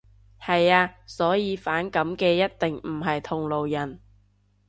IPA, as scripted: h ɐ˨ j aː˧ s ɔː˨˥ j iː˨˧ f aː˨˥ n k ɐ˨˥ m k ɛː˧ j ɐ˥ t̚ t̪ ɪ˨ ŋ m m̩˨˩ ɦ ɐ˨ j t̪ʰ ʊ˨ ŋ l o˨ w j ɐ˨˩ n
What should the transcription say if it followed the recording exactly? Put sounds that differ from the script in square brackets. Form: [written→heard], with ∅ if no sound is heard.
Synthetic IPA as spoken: h ɐ˨ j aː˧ s ɔː˨˥ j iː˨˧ f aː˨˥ n k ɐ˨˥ m k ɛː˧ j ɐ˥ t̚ t̪ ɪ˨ ŋ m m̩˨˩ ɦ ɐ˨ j t̪ʰ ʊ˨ ŋ l o˨ w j ɐ˨˩ n